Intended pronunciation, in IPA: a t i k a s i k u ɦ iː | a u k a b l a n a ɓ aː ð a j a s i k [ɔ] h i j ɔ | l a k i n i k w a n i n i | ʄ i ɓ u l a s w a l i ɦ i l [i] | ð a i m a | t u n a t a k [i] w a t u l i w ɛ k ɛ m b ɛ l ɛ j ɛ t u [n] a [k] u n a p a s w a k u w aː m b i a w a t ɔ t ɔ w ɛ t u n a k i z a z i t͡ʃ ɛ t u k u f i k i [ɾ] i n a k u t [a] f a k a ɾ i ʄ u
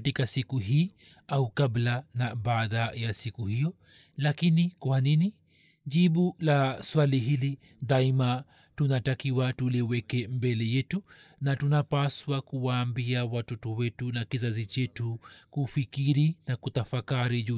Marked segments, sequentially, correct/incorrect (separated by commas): incorrect, correct, correct, correct, incorrect, correct, correct